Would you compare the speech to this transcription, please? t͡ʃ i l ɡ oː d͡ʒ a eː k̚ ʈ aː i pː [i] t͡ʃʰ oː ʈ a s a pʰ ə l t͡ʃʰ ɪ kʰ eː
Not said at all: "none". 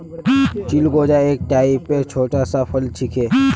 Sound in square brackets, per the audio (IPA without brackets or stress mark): e